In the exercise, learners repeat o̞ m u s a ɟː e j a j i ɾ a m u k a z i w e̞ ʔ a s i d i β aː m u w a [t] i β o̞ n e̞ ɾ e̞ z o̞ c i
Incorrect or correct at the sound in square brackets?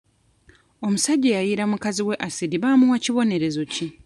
incorrect: c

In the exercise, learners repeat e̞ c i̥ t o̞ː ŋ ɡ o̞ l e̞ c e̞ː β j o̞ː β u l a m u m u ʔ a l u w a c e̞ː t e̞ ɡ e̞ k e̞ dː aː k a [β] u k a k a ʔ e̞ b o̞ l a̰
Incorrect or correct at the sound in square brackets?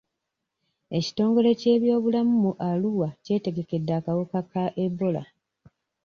incorrect: w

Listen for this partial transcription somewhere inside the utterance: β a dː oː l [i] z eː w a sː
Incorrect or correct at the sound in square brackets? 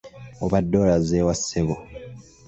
incorrect: a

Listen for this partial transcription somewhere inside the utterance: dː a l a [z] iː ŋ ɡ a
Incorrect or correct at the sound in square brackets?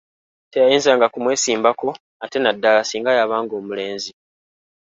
incorrect: s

